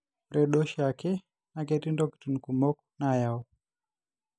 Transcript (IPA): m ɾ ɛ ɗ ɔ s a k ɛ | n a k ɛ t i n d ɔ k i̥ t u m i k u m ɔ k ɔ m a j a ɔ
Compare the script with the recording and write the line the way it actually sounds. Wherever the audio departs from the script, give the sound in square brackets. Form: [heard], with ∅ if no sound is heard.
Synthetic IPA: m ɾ ɛ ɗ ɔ [ʃ] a k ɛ | n a k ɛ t i n d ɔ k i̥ t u [n] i k u m ɔ k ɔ [n] a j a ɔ

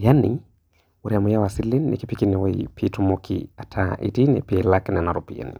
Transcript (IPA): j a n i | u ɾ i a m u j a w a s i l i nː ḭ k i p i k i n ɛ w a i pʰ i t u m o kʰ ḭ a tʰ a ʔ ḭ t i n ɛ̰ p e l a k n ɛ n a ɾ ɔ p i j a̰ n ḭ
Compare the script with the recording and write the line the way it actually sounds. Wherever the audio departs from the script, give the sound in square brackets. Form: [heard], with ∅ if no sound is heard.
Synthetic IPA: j a n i | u ɾ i a m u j a w a s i l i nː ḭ k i p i k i n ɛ w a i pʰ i t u m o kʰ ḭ a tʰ a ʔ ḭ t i n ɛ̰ p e l a k n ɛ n a ɾ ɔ p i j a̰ n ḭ

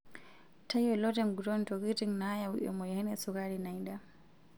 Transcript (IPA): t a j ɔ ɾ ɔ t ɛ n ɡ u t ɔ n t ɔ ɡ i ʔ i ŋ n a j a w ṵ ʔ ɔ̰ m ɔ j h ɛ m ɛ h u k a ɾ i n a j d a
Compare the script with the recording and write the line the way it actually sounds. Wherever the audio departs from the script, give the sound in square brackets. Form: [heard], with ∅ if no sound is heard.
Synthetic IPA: t a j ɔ [l] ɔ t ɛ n ɡ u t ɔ n t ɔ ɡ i [t] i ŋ n a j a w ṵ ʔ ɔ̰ m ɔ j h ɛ [n] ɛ [s] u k a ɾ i n a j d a

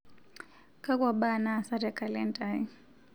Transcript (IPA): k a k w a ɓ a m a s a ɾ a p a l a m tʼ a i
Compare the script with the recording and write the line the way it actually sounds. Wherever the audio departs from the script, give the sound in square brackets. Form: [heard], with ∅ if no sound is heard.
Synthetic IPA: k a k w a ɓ a [n] a s a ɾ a [k] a l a [n] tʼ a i

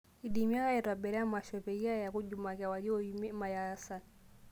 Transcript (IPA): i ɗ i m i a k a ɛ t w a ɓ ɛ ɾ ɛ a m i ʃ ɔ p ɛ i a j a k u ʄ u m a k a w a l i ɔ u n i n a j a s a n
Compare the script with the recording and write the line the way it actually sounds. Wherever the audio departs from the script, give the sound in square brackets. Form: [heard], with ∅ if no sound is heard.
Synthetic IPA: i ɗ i m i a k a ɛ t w a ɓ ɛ ɾ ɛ a m [a] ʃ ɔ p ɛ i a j a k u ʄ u m a k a w a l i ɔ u [m] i [m] a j a s a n

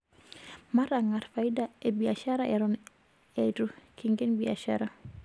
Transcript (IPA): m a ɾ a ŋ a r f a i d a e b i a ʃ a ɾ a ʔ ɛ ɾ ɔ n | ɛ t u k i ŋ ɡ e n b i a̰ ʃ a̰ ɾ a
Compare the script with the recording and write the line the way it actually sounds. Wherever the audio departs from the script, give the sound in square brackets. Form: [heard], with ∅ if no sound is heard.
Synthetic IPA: m a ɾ a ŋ a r f a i d a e b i a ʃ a ɾ a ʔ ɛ ɾ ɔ n | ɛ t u k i ŋ ɡ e n b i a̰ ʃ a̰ ɾ a

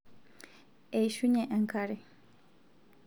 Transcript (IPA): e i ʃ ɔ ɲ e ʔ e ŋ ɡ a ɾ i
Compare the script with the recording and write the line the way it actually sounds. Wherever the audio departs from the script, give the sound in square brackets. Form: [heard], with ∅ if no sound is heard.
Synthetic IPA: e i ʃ [u] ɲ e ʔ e ŋ [k] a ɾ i

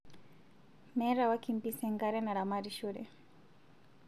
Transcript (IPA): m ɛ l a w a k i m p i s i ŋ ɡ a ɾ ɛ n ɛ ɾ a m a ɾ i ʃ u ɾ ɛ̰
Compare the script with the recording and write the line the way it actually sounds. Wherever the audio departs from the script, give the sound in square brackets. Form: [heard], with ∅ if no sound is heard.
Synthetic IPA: m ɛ [ɾ] a w a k i m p i s [ɛ] ŋ ɡ a ɾ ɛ n [a] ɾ a m a ɾ i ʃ u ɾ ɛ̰

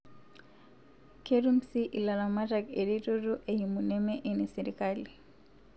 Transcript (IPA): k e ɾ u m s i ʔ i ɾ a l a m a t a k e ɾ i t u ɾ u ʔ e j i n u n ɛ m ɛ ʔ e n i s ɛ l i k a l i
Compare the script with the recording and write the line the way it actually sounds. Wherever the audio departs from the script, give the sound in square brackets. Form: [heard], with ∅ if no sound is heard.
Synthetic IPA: k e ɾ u m s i ʔ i [l] a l a m a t a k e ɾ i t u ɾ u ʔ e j i [m] u n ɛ m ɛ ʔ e n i s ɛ [ɾ] i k a l i

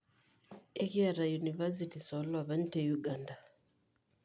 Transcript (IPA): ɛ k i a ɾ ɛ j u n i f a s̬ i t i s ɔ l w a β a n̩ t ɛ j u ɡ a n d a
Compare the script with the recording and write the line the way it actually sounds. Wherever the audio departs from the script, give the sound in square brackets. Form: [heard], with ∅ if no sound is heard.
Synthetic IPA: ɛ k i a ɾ [a] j u n i [v] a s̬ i t i s ɔ l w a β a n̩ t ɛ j u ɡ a n d a

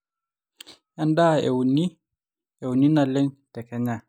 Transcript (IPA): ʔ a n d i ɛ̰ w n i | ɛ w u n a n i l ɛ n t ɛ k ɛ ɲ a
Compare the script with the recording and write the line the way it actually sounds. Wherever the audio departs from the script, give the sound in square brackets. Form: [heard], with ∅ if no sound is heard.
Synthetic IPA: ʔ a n d [a] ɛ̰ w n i | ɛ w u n [i] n [a] l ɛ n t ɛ k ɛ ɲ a

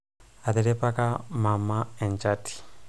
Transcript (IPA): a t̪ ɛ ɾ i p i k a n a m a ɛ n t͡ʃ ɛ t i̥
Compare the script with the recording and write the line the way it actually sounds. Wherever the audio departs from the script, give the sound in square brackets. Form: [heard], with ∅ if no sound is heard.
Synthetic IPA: a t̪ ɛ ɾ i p [a] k a [m] a m a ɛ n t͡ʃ [a] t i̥

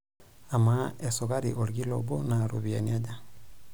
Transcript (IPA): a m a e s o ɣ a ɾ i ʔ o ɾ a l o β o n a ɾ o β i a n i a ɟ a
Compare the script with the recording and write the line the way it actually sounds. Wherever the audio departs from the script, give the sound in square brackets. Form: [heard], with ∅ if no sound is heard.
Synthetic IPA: a m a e s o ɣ a ɾ i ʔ o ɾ [i] l o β o n a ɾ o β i a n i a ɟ a

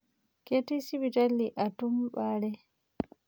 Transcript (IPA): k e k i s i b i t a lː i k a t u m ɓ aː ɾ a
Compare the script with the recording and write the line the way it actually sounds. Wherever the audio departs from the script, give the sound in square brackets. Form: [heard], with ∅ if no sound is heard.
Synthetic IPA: k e [t] i s i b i t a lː i [ʔ] a t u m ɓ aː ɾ [ɛ]

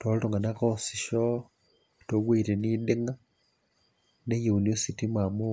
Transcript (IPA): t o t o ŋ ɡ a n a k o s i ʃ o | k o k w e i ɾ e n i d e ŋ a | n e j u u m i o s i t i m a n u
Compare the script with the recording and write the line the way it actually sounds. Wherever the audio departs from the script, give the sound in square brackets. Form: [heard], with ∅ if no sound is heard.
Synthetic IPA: t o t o ŋ ɡ a n a k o s i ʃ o | [t] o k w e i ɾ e n i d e ŋ a | n e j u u [n] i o s i t i m a [m] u

